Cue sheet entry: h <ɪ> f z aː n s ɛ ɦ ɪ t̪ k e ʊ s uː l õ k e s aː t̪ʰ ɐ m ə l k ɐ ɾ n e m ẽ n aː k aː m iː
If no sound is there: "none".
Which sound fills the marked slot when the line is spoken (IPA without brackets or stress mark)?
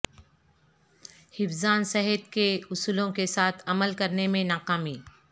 ɪ